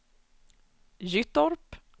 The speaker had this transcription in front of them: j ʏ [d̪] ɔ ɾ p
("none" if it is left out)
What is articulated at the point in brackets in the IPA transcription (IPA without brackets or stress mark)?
t̪